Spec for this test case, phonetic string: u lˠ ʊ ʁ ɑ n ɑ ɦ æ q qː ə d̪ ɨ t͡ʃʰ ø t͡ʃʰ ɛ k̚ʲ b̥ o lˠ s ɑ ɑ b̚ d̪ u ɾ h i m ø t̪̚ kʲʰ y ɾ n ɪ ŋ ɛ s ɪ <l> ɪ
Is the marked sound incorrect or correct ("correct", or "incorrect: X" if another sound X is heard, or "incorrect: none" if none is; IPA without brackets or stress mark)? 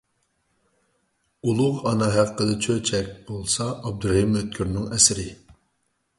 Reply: incorrect: ɾ